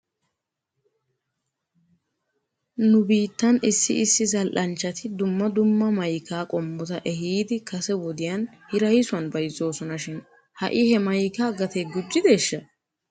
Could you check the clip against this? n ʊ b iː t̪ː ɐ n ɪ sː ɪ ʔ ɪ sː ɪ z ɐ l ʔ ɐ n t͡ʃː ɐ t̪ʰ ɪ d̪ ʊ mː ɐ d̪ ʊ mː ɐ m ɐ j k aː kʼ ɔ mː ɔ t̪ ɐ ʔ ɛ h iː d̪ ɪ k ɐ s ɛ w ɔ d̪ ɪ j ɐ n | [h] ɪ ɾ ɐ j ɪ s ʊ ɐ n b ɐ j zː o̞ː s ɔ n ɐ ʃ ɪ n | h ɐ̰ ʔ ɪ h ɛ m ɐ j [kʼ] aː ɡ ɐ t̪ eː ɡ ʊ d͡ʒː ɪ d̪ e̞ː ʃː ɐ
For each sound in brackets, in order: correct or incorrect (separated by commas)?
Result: correct, incorrect